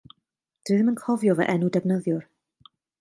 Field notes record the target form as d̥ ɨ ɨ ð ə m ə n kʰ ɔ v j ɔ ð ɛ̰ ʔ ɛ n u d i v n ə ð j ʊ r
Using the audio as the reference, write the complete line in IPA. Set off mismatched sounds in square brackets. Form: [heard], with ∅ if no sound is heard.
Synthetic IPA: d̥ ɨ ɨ ð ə m ə n kʰ ɔ v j ɔ [v] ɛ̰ ʔ ɛ n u d [ɛ] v n ə ð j ʊ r